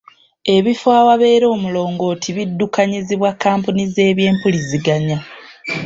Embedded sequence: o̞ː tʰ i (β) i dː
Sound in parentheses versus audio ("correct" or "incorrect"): correct